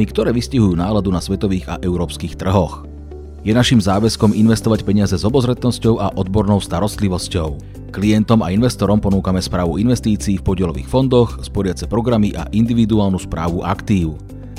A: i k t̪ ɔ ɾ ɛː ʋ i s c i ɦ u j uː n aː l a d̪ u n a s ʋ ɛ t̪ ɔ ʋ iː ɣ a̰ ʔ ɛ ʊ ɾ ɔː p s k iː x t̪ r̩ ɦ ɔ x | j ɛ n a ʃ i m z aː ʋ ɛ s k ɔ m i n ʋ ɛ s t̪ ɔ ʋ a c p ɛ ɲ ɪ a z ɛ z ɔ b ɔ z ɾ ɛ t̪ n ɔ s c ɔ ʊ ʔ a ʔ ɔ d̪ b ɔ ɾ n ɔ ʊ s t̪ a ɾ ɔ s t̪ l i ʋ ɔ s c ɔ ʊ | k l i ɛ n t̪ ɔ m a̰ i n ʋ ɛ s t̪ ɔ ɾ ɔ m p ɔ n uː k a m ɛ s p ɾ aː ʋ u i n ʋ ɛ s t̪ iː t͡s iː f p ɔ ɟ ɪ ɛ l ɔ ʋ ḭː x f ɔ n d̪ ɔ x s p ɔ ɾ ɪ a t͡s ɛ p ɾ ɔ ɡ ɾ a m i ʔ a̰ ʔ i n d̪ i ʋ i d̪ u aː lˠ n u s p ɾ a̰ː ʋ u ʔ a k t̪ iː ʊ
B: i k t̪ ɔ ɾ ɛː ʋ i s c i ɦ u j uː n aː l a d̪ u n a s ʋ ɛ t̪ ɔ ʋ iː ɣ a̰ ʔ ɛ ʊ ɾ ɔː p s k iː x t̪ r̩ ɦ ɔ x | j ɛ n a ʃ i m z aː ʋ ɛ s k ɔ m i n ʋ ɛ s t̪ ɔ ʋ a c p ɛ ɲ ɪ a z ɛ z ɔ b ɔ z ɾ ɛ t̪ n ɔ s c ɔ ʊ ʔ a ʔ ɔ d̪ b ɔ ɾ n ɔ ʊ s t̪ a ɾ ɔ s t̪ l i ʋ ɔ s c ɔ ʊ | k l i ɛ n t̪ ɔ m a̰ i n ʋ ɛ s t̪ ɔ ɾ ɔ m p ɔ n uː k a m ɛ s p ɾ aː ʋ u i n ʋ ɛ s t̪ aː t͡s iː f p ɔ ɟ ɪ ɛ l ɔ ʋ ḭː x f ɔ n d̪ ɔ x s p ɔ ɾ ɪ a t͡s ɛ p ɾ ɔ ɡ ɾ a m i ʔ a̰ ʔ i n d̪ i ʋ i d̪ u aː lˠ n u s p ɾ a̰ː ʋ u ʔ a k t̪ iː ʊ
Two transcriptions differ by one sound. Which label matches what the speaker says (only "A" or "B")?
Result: A